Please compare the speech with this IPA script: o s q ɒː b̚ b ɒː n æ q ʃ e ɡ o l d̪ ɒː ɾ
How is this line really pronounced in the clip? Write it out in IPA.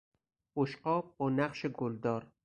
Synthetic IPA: o ʃ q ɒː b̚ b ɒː n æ q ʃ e ɡ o l d̪ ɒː ɾ